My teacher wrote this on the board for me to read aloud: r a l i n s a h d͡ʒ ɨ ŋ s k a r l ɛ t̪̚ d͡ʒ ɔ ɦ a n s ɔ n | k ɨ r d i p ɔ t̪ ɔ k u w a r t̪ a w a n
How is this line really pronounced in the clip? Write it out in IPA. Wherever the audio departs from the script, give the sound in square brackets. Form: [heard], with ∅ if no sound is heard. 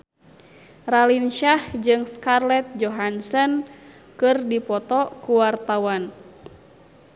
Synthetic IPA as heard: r a l i n [ʃ] a h d͡ʒ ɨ ŋ s k a r l ɛ t̪̚ d͡ʒ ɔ ɦ a n s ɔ n | k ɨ r d i p ɔ t̪ ɔ k u w a r t̪ a w a n